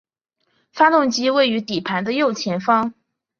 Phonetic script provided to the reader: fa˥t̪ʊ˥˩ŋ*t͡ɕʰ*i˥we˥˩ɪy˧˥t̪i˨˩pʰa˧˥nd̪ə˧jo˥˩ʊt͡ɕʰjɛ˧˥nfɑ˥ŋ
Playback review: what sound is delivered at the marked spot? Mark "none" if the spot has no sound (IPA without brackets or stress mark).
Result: t͡ɕ